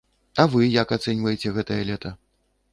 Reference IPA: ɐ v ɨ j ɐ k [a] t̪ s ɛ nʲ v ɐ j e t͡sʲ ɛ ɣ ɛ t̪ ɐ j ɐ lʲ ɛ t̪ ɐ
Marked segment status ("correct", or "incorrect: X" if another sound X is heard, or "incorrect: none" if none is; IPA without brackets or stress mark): correct